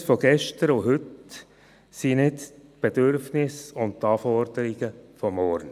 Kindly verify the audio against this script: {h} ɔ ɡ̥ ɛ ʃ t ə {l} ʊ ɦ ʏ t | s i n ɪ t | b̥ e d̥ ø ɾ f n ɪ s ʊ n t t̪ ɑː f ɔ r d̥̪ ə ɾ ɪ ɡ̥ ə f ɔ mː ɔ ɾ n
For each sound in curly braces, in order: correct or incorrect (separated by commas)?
incorrect, incorrect